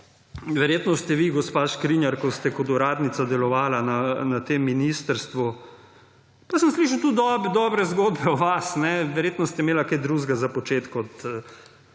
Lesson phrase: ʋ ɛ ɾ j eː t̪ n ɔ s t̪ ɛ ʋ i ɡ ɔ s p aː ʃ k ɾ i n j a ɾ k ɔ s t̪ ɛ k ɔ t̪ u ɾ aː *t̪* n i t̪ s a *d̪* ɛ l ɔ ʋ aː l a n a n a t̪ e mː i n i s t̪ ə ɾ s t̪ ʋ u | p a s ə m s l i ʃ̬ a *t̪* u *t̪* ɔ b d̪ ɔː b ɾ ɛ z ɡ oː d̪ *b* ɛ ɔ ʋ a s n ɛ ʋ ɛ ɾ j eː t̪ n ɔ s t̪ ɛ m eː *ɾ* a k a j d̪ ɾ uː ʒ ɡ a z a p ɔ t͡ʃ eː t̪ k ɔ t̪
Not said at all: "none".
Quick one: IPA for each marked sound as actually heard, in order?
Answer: d̪, d̪, t̪, d̪, b, l

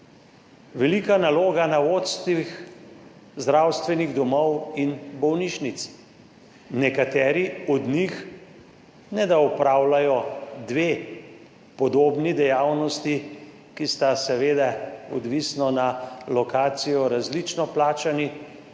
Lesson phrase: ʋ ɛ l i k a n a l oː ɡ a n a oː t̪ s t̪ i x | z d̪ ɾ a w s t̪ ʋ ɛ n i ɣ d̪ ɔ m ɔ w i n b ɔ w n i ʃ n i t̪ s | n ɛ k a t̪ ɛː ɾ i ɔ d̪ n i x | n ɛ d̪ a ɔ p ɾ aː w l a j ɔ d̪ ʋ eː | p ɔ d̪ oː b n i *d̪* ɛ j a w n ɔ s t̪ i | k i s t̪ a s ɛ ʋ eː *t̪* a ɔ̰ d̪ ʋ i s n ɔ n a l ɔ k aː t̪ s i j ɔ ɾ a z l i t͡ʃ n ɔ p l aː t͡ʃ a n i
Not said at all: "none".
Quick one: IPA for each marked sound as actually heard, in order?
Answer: d̪, d̪

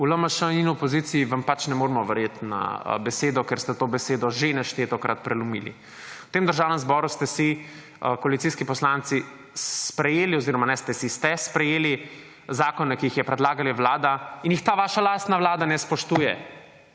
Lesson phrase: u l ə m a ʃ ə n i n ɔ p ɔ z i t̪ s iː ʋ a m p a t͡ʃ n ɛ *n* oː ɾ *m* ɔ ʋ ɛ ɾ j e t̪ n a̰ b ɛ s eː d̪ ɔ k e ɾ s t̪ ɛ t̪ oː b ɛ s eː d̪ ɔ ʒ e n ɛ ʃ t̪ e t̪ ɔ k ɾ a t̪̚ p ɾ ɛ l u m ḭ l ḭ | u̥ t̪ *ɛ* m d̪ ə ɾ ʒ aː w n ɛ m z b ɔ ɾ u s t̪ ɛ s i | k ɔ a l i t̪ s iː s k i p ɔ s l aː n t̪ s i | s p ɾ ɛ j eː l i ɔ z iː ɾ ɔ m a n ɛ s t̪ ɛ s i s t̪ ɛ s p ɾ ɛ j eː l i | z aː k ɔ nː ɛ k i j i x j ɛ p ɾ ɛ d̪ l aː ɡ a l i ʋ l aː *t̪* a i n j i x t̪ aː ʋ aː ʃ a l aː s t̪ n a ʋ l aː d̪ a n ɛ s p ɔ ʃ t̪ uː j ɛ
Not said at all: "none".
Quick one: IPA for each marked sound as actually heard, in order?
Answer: m, m, e, d̪

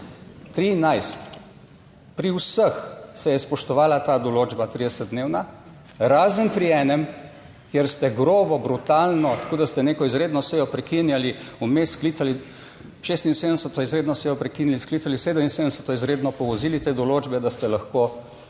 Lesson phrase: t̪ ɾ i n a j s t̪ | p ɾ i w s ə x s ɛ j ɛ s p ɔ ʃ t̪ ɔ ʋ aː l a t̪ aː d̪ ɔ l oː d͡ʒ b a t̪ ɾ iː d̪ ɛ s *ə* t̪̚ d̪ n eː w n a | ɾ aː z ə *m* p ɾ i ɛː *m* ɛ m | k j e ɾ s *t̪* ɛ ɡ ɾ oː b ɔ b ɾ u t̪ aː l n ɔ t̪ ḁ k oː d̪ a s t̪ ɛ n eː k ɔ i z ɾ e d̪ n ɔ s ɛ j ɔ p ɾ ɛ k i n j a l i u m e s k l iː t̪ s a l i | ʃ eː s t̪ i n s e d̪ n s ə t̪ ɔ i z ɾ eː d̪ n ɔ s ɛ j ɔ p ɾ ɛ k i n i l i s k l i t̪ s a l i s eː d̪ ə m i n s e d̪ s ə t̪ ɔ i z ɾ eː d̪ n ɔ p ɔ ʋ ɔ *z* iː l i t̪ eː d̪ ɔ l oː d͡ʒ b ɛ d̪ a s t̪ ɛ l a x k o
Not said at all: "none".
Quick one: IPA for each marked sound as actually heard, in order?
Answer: ə, n, n, t̪, z

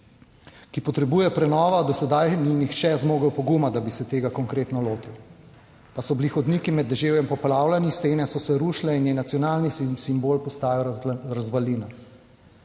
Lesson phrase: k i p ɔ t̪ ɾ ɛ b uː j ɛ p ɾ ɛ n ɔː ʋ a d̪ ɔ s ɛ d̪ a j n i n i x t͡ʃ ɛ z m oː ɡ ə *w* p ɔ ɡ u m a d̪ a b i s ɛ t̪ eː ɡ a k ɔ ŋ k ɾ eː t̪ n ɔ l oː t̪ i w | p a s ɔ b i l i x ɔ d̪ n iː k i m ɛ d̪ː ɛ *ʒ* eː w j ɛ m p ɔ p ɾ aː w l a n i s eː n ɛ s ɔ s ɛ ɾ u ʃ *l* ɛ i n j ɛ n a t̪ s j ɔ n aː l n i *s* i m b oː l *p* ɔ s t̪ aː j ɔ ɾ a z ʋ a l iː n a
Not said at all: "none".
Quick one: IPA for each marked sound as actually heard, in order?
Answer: w, ʒ, l, s, p

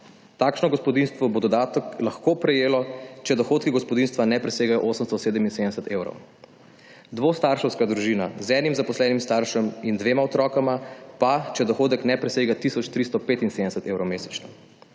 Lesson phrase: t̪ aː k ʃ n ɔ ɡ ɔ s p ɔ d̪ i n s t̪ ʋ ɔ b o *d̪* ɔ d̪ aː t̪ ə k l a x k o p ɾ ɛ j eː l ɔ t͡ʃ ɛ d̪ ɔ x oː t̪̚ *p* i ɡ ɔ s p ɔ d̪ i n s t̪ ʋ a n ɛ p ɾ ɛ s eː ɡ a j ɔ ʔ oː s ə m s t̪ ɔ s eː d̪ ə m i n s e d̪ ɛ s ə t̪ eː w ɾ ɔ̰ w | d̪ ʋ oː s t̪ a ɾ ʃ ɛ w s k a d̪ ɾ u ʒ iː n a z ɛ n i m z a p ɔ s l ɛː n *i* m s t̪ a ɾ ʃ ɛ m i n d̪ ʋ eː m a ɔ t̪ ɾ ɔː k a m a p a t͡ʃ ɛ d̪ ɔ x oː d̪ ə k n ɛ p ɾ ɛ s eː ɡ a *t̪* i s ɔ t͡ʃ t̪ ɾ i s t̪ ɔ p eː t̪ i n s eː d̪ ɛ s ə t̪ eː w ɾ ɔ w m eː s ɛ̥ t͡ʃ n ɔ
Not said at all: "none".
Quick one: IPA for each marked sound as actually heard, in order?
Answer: d̪, k, i, t̪

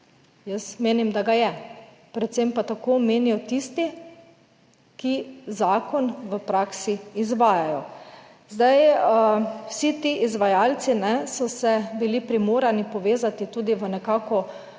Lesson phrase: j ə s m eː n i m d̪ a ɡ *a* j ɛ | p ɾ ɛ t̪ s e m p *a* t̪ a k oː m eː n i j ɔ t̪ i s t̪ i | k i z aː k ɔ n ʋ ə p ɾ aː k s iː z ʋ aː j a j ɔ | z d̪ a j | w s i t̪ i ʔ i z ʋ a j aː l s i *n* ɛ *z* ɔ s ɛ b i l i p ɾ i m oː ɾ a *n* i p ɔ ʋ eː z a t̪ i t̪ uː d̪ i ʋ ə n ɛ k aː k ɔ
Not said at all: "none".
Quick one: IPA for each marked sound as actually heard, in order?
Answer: a, a, n, s, n

